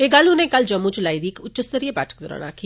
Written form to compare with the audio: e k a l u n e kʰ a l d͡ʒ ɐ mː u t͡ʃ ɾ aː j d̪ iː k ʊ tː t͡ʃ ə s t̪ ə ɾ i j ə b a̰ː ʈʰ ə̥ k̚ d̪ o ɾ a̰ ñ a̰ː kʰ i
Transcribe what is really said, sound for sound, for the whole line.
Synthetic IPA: e ɡ a l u n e k a l d͡ʒ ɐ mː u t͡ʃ l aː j d̪ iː k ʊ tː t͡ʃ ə s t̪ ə ɾ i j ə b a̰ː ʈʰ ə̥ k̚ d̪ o ɾ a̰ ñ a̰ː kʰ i

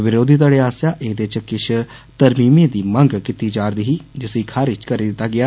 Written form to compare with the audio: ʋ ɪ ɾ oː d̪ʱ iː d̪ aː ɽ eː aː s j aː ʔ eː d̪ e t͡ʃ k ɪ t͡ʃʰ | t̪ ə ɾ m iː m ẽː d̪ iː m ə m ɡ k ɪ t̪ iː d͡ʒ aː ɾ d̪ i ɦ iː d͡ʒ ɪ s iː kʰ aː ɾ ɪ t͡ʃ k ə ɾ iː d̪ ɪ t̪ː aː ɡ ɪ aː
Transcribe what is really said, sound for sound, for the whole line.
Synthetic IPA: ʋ ɪ ɾ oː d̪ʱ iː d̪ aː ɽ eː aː s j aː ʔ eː d̪ e t͡ʃ k ɪ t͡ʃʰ | t̪ ə ɾ m iː m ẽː d̪ iː m ə ŋ ɡ k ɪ t̪ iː d͡ʒ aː ɾ d̪ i ɦ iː d͡ʒ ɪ s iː kʰ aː ɾ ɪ t͡ʃ k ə ɾ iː d̪ ɪ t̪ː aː ɡ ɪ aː

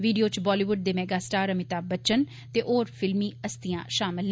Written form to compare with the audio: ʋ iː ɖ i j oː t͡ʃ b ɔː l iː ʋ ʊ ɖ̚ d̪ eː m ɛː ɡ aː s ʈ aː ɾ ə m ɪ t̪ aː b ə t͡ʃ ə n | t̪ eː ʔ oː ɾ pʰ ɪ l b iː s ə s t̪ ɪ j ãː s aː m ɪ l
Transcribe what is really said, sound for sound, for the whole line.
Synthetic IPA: ʋ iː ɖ i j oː t͡ʃ b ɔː l iː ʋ ʊ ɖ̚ d̪ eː m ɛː ɡ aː s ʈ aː ɾ ə m ɪ t̪ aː b ə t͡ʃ ə n | t̪ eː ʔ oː ɾ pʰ ɪ l m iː ə s t̪ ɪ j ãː ʃ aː m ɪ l

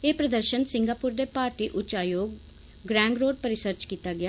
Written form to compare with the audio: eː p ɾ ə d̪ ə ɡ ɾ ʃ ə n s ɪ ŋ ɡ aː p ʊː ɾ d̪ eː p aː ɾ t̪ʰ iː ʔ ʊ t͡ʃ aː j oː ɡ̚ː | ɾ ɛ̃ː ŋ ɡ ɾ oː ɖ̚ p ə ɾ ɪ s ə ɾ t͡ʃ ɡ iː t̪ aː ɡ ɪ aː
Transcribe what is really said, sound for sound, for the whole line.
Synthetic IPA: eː p ɾ ə d̪ ə ɾ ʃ ə n s ɪ ŋ ɡ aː p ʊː ɾ d̪ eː p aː ɾ t̪ iː ʔ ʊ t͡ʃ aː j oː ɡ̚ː | ɾ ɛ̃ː ŋ ɡ ɾ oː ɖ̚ p ə ɾ ɪ s ə ɾ t͡ʃ k iː t̪ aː ɡ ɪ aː

